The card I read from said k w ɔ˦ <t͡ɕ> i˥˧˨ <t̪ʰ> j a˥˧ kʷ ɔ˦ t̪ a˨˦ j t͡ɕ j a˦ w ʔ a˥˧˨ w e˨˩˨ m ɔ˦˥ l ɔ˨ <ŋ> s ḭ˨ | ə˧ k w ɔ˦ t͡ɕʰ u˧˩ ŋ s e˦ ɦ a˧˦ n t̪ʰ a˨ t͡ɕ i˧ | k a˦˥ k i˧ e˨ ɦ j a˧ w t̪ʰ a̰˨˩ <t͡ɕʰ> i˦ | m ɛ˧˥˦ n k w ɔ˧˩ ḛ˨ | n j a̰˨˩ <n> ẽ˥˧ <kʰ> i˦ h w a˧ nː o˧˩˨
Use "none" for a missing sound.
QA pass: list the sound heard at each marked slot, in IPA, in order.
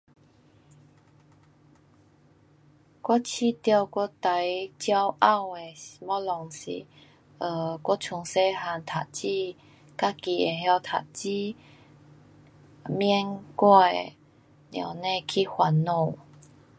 t͡ɕʰ, t̪, ŋ, t͡ɕ, n, kʰ

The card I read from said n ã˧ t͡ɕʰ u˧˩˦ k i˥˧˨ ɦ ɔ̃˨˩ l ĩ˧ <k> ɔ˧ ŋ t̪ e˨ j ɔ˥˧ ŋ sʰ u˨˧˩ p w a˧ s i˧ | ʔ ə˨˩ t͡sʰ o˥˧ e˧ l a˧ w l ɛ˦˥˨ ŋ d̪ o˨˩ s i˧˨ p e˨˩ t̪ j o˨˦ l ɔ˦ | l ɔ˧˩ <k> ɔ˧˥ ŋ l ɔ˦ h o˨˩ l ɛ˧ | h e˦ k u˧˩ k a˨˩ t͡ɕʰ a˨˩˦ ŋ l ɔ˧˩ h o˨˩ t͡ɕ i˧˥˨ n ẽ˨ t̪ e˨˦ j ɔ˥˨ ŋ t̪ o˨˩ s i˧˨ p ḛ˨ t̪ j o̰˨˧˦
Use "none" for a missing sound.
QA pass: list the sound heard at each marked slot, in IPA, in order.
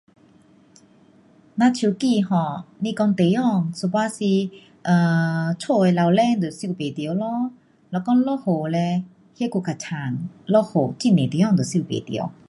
k, k

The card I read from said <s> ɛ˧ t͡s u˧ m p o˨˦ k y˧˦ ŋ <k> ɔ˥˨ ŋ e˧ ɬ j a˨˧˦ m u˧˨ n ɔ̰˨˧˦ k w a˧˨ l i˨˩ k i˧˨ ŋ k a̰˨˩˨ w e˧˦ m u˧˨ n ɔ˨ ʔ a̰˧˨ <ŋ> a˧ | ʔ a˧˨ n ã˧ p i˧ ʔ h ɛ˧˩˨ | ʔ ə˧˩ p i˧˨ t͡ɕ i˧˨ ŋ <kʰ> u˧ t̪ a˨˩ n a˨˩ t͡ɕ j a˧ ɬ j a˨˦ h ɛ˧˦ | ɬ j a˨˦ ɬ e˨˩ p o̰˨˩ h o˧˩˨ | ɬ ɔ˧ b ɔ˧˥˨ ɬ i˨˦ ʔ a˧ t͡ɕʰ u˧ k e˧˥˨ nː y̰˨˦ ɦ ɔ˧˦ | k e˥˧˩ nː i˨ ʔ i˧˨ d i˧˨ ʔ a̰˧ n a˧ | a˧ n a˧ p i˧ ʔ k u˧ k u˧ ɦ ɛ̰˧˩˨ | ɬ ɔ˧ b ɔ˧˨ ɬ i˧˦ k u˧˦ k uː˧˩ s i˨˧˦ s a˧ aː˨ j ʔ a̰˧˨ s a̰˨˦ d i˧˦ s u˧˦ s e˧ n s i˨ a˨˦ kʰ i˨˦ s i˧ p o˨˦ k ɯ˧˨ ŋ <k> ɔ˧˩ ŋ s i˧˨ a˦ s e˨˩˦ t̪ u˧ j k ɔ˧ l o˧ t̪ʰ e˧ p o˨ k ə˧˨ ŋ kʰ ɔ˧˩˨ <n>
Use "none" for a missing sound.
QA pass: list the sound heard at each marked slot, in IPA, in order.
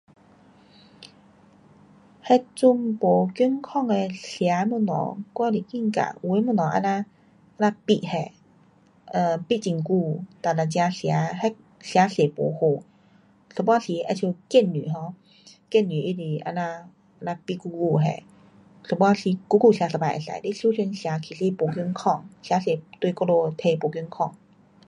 h, kʰ, n, k, kʰ, ŋ

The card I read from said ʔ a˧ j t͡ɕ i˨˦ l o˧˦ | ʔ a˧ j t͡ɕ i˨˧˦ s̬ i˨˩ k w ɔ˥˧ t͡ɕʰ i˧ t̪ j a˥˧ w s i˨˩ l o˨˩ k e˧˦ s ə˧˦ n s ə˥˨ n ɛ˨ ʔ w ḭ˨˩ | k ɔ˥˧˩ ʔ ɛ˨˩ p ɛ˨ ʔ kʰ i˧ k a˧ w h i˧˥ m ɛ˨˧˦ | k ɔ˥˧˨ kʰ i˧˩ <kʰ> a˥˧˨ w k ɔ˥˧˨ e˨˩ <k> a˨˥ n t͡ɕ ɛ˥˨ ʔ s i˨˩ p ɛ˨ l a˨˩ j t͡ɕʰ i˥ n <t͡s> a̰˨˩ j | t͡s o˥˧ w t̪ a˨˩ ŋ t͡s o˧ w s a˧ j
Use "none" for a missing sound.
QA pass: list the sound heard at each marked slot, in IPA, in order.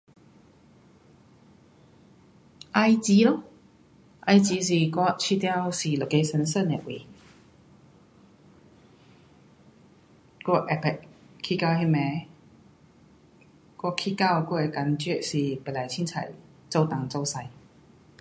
k, k, t͡sʰ

